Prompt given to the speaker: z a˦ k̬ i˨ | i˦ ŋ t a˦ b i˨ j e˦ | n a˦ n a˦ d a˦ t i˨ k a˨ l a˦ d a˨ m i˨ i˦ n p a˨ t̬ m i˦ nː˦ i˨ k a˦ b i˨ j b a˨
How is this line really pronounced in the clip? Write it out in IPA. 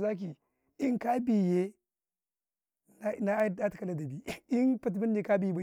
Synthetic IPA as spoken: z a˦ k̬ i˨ | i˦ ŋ k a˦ b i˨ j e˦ | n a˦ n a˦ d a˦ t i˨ k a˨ l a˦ d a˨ b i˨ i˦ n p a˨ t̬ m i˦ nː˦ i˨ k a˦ b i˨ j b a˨